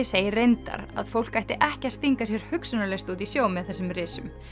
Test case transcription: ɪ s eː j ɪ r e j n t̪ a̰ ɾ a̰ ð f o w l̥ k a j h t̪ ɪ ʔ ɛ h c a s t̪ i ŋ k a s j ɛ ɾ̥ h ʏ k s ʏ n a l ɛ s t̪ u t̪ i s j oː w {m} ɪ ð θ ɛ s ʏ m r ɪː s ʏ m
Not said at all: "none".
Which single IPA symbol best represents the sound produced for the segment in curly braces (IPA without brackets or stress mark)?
m